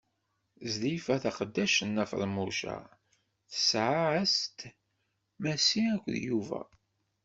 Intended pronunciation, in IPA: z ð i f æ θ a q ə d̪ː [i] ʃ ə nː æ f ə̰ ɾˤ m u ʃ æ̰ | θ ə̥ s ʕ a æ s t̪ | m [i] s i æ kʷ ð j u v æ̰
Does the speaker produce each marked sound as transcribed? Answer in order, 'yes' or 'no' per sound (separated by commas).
no, no